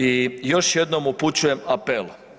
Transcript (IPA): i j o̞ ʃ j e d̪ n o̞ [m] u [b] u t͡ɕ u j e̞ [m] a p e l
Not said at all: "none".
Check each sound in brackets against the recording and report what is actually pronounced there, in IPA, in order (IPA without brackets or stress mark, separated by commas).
m, p, m